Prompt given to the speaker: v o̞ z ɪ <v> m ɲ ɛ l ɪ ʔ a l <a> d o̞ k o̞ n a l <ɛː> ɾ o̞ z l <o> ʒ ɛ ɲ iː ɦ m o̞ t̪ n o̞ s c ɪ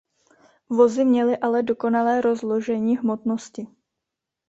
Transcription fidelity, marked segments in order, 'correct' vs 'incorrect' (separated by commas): incorrect, incorrect, correct, correct